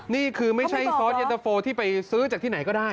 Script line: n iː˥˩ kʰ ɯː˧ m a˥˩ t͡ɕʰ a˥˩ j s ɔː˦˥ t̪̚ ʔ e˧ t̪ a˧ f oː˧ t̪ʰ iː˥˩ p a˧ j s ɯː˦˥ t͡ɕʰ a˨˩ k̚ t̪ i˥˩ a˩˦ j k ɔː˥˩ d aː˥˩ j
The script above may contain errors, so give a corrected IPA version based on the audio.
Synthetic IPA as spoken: n iː˥˩ kʰ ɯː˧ m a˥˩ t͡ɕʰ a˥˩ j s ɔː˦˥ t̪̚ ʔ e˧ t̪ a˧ f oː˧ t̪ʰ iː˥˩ p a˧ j s ɯː˦˥ t͡ɕ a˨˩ k̚ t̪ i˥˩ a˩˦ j k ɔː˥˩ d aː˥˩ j